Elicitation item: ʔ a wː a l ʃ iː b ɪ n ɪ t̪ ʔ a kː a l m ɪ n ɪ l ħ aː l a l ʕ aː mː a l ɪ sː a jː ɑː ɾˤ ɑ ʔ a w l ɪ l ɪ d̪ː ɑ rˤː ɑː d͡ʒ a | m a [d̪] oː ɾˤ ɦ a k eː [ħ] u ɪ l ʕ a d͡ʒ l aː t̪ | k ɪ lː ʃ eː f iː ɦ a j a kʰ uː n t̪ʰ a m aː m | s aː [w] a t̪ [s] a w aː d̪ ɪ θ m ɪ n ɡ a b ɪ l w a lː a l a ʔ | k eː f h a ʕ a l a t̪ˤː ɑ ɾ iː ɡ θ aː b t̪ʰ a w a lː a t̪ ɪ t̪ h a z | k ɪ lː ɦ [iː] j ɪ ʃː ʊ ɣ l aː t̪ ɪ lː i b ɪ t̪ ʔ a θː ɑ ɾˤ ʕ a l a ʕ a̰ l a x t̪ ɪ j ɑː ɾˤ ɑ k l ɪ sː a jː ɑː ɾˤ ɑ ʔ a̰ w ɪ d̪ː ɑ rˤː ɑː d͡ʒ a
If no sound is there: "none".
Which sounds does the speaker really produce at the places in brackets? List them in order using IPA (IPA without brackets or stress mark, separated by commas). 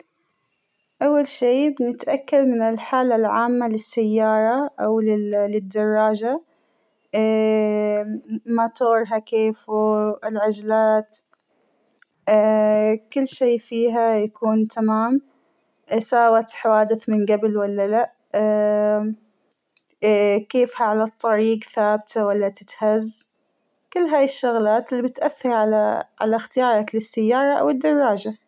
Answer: t̪, f, w, ħ, aː